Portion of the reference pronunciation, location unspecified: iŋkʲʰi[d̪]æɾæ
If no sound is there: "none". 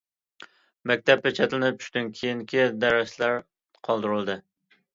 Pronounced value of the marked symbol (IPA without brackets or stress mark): d̪